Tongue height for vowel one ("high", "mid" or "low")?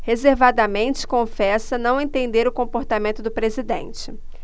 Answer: mid